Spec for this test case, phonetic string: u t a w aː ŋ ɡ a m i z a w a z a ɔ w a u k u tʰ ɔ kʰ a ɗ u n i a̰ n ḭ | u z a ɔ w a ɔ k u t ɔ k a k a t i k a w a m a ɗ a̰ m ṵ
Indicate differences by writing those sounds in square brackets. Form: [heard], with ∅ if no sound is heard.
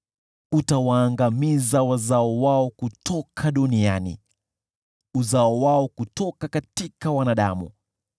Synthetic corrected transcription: u t a w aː ŋ ɡ a m i z a w a z a ɔ w a [ɔ] k u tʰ ɔ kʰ a ɗ u n i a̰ n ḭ | u z a ɔ w a ɔ k u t ɔ k a k a t i k a w a [n] a ɗ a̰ m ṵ